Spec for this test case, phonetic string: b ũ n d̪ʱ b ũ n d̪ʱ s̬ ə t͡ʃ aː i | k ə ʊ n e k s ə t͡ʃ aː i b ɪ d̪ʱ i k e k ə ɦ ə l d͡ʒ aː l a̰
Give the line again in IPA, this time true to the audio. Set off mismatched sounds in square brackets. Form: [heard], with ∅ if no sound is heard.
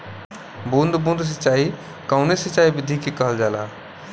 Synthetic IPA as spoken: b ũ n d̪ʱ b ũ n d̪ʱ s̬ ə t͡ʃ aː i | k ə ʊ n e [∅] s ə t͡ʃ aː i b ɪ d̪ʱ i k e k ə ɦ ə l d͡ʒ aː l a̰